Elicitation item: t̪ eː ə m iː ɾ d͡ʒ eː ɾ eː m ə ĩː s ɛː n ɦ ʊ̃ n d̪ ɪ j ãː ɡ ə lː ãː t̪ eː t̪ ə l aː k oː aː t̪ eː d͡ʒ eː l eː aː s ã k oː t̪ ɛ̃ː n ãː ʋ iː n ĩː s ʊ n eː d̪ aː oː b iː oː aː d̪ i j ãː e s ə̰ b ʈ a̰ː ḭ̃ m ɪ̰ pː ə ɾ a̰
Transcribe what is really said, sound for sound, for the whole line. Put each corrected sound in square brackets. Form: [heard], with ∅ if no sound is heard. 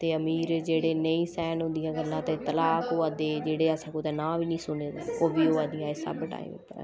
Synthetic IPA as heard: t̪ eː ə m iː ɾ d͡ʒ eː [ɽ] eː [n] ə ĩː s ɛː n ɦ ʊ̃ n d̪ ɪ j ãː ɡ ə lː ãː t̪ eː t̪ ə l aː k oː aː [d̪] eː d͡ʒ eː [ɽ] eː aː s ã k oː t̪ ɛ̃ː n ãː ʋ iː n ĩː s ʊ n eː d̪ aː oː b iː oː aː d̪ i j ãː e s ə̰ b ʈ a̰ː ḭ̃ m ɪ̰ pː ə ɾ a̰